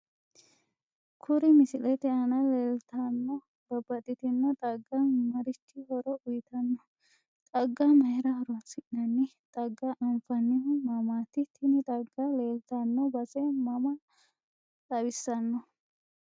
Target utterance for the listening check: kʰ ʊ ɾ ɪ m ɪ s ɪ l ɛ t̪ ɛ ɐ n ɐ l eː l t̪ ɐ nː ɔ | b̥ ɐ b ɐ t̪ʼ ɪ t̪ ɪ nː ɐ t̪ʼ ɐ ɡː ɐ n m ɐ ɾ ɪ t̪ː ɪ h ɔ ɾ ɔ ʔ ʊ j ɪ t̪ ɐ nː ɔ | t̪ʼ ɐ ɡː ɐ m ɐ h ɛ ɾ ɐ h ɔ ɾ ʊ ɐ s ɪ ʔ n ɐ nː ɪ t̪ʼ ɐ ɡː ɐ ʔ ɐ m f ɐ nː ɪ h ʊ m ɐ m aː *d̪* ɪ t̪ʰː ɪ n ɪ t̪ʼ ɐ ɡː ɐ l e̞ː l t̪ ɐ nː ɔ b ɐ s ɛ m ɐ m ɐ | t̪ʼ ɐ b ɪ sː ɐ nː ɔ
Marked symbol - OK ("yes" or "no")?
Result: no